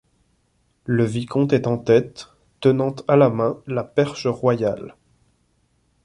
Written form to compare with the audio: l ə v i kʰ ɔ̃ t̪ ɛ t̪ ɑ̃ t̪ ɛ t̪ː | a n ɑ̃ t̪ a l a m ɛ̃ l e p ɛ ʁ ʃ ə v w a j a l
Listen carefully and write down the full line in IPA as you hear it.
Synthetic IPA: l ə v i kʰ ɔ̃ t̪ ɛ t̪ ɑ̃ t̪ ɛ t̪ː | ə n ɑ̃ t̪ a l a m ɛ̃ l a p ɛ ʁ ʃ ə ʁ w a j a l